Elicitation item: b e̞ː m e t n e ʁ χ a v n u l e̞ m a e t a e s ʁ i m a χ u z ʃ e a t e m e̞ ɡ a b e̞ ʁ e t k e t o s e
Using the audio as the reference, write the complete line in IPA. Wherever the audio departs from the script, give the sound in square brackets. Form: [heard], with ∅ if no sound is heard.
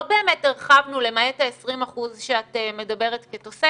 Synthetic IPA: b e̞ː m e t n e ʁ χ a v n u l e̞ m a e t a e s ʁ i m a χ u z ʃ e a t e m e̞ [d] a b e̞ ʁ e t k e t o s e

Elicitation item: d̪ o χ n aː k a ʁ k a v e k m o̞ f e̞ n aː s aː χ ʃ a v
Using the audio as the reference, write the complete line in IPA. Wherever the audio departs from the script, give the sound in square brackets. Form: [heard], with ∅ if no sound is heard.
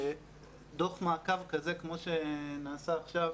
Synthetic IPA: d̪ o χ [m] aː k a [v] k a [z] e k m o̞ [ʃ] e̞ n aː s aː χ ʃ a v

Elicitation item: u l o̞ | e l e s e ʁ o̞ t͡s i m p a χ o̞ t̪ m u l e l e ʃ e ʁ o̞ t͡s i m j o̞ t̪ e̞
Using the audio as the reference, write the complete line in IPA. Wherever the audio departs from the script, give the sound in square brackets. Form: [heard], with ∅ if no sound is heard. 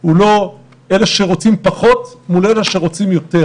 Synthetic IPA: u l o̞ | e l e [ʃ] e ʁ o̞ t͡s i m p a χ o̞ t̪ m u l e l e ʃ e ʁ o̞ t͡s i m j o̞ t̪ e̞

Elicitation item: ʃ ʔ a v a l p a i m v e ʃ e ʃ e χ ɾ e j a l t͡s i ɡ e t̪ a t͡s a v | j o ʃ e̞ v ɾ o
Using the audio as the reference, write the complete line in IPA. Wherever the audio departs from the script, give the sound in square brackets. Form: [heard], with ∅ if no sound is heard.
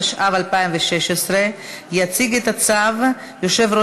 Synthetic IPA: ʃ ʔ a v a l p a i m v e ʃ e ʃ e [s] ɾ e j a [∅] t͡s i ɡ e t̪ a t͡s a v | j o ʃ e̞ v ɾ o

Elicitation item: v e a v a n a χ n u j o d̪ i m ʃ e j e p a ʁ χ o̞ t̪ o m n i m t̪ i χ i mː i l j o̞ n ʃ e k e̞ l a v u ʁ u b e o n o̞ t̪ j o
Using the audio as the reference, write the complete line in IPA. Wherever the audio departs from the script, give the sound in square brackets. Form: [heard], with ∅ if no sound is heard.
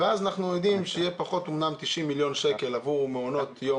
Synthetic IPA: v e a [z] a n a χ n u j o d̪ i m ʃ e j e p a [∅] χ o̞ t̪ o m n [a] m t̪ i [ʃ] i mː i l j o̞ n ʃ e k e̞ l a v u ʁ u [m] e o n o̞ t̪ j o

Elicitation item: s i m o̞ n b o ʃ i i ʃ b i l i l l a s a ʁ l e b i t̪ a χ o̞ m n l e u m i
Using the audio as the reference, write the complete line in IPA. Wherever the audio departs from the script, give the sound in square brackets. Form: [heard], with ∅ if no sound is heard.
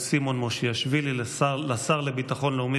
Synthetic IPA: s i m o̞ n [m] o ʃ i [a] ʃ [v] i l i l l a s a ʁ l e b i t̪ a χ o̞ [∅] n l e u m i

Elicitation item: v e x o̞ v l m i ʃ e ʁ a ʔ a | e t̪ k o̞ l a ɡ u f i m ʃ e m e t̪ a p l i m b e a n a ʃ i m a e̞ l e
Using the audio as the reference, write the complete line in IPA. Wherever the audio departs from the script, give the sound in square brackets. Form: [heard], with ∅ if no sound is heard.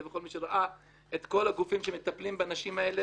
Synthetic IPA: v e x o̞ [∅] l m i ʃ e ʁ a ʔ a | e t̪ k o̞ l a ɡ u f i m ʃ e m e t̪ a p l i m b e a n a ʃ i m a e̞ l e

